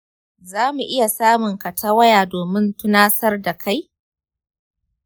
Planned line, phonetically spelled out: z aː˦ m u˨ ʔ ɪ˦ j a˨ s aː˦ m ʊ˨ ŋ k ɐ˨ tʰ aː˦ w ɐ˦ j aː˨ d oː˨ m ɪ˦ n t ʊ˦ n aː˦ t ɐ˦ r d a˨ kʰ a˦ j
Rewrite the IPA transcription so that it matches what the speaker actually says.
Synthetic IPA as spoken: z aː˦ m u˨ ʔ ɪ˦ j a˨ s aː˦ m ʊ˨ ŋ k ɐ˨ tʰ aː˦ w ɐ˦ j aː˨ d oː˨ m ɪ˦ n t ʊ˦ n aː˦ s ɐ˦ r d a˨ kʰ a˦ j